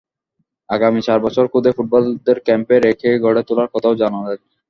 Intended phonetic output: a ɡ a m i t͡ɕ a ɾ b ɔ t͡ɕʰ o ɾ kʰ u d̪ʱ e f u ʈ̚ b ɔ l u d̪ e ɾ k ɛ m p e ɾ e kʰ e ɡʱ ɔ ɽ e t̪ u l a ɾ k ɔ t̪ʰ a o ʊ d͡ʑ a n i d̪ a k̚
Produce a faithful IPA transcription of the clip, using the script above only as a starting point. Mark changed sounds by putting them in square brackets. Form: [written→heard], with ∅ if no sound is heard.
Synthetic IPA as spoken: a ɡ a m i t͡ɕ a ɾ b ɔ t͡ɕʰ o ɾ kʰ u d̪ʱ e f u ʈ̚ b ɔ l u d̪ e ɾ k ɛ m p e ɾ e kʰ e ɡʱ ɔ ɽ e t̪ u l a ɾ k ɔ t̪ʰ a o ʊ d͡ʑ a n [i→a] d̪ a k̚